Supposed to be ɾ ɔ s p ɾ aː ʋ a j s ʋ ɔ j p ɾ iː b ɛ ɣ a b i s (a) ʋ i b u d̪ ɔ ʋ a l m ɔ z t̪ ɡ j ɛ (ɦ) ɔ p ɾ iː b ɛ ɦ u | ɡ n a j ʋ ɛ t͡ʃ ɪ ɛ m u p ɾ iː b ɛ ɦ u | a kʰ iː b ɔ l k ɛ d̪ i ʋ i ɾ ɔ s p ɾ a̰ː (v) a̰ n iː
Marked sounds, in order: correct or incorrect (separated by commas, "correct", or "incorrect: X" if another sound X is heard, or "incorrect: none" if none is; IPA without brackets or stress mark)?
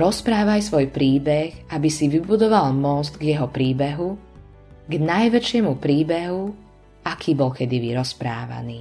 incorrect: i, correct, incorrect: ʋ